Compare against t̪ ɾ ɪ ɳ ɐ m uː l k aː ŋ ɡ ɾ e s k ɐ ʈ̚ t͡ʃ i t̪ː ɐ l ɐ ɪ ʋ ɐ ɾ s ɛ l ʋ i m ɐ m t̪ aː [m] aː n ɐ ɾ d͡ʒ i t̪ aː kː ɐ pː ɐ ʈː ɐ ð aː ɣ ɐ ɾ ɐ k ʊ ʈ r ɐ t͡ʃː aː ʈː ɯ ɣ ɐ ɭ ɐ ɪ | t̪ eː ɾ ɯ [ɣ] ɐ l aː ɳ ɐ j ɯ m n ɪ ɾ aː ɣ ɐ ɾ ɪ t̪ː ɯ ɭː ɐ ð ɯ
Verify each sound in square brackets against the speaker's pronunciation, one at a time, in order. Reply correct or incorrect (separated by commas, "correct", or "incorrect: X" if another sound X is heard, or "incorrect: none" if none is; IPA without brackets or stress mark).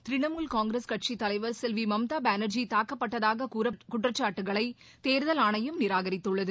incorrect: b, incorrect: ð